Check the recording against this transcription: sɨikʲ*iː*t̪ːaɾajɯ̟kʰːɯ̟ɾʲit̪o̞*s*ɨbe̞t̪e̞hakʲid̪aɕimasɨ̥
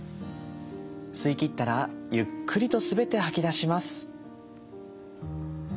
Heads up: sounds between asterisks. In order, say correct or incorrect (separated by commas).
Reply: incorrect, correct